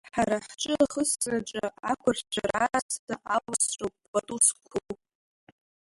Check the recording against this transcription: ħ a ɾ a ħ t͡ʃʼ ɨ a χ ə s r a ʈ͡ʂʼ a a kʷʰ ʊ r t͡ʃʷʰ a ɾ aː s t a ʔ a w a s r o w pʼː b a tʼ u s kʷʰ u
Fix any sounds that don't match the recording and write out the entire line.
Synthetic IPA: ħ a ɾ a ħ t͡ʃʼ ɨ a χ ə s r a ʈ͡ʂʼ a a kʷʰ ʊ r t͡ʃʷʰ a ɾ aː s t a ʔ a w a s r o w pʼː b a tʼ u s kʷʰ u